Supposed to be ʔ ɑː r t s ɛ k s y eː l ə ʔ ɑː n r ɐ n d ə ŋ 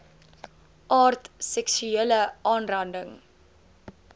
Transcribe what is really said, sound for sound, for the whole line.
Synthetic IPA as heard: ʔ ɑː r t s ɛ k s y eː l ə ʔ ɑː n r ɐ n d ə ŋ